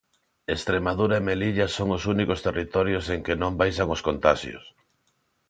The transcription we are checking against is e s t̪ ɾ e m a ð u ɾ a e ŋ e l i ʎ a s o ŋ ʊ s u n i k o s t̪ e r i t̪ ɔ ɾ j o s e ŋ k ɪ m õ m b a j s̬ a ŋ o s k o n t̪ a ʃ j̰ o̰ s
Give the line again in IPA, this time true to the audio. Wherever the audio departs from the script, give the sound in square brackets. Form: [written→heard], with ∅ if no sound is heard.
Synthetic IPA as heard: e s t̪ ɾ e m a ð u ɾ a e [ŋ→m] e l i ʎ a s o ŋ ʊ s u n i k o s t̪ e r i t̪ ɔ ɾ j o s e ŋ k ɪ [m→n] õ m b a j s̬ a ŋ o s k o n t̪ a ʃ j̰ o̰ s